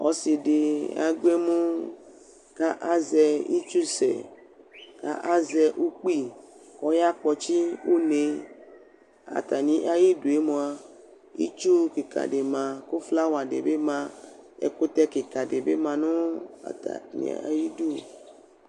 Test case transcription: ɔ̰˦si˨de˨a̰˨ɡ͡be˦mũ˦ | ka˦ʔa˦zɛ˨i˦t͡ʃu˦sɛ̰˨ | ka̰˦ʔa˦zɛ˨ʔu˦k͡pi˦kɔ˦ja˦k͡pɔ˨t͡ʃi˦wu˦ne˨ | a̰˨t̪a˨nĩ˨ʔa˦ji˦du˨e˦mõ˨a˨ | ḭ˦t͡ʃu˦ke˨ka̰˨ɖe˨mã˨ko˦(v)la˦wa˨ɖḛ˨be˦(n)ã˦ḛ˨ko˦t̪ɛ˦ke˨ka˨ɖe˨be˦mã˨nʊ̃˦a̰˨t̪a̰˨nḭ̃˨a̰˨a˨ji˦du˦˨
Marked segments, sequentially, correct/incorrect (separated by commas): incorrect, incorrect